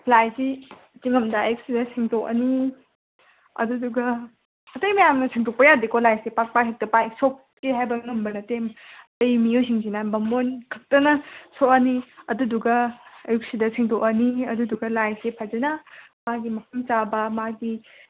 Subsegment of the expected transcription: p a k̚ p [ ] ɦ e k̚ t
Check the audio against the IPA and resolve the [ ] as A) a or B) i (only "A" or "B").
A